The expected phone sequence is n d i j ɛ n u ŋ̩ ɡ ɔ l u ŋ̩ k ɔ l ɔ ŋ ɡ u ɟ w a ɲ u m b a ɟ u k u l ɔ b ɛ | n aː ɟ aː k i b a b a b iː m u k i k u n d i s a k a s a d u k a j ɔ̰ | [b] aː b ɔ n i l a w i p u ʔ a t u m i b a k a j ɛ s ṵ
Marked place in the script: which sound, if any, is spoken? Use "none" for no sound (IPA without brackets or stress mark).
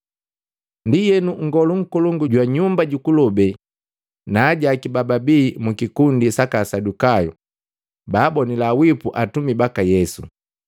b